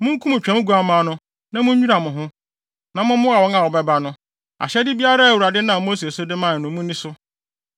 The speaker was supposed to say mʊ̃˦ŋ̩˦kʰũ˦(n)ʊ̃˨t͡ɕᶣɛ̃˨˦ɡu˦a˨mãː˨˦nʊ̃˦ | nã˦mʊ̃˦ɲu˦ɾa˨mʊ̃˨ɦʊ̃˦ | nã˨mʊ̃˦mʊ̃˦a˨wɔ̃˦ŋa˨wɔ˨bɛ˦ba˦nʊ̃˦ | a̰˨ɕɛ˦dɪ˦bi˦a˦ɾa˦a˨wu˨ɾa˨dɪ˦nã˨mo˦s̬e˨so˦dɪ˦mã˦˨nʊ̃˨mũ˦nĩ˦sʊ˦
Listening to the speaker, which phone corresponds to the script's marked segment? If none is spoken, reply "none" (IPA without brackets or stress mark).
m